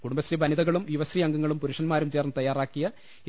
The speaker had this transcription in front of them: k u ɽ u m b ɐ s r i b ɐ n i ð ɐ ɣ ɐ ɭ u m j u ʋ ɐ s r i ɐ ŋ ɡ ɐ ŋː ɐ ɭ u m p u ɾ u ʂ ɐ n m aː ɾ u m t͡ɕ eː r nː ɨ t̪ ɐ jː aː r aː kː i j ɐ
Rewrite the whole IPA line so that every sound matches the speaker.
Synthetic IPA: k u ɽ u m b ɐ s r i b ɐ n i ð ɐ ɣ ɐ ɭ u m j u ʋ ɐ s r i ɐ ŋ ɡ ɐ ŋː ɐ ɭ u m p u ɾ u ʂ ɐ n m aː ɾ u m t͡ɕ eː r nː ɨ t̪ ɐ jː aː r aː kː i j ɐ